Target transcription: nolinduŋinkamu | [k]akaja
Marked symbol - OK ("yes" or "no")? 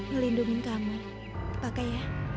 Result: no